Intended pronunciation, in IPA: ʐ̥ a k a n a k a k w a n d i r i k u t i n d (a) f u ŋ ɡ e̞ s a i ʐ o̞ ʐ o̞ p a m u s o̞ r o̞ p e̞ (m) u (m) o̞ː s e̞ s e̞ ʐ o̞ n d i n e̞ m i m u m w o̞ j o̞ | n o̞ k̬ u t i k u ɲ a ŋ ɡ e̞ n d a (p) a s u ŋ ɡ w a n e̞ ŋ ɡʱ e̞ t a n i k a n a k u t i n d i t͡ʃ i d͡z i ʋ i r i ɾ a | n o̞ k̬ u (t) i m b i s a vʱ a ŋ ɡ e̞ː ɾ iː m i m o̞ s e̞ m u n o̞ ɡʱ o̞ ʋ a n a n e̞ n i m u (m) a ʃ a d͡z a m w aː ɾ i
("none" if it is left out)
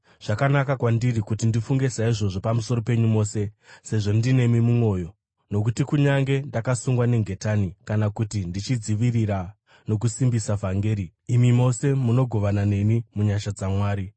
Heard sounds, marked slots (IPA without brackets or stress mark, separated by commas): i, ɲ, m, k, s, ɲ